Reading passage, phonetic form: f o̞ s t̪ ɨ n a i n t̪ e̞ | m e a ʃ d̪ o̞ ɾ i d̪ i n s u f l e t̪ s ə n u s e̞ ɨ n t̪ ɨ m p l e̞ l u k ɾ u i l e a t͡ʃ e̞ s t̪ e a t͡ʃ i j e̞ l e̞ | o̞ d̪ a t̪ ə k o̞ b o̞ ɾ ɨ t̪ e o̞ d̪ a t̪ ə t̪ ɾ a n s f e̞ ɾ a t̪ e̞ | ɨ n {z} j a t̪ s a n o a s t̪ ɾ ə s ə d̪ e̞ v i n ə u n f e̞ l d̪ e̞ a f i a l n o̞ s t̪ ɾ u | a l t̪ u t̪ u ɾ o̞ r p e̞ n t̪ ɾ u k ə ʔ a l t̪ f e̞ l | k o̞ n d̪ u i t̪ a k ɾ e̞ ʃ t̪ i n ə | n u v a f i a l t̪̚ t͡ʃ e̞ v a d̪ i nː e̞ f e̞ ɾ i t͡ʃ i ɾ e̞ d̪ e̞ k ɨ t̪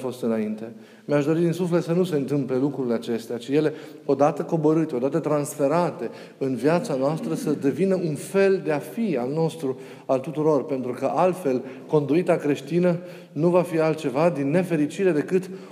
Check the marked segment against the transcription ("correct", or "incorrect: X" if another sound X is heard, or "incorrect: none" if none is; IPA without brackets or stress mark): incorrect: v